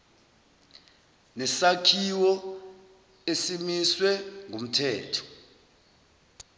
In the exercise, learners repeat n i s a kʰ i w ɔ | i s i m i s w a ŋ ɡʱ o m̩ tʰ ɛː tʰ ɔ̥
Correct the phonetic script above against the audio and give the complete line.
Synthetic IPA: n ɛ s a kʰ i w ɔ | e s i m i s w ɛ ŋ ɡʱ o m̩ tʰ ɛː tʰ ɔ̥